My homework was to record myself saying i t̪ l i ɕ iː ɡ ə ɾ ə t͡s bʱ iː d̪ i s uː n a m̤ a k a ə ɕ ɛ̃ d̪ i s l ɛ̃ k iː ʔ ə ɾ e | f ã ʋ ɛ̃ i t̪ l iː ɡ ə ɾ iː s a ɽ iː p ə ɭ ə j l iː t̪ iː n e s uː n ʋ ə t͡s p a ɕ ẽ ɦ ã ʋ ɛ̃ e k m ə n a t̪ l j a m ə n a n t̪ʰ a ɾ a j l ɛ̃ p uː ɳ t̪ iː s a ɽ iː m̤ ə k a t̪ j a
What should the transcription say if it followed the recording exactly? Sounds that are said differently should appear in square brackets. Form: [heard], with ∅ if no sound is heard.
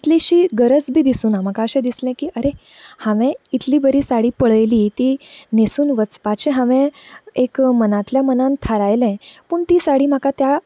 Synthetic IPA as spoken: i t̪ l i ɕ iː ɡ ə ɾ ə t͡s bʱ iː d̪ i s uː n a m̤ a k a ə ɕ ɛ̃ d̪ i s l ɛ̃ k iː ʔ ə ɾ e | [h] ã ʋ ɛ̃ i t̪ l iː [b] ə ɾ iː s a ɽ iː p ə ɭ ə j l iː t̪ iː n e s uː n ʋ ə t͡s p a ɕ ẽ ɦ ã ʋ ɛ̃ e k m ə n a t̪ l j a m ə n a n t̪ʰ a ɾ a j l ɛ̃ p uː ɳ t̪ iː s a ɽ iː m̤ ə k a t̪ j a